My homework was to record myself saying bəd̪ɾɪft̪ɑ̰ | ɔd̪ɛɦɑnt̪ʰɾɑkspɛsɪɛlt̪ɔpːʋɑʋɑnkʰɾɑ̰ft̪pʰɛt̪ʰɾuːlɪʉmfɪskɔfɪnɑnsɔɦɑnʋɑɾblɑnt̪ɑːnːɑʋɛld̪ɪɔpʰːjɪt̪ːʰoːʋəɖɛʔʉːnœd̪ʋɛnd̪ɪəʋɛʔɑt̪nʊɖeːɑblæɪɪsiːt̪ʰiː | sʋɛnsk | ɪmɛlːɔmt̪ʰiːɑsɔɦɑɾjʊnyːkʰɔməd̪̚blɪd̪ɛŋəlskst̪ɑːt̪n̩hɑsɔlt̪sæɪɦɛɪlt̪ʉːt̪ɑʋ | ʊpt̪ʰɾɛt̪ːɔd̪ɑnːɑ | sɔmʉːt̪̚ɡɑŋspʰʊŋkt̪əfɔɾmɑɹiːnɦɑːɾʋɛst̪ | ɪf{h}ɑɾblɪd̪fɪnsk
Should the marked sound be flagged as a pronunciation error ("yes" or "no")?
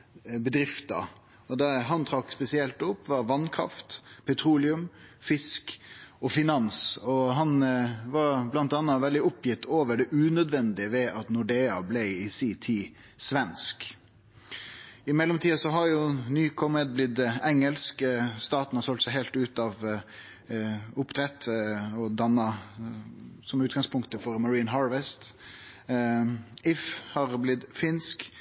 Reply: no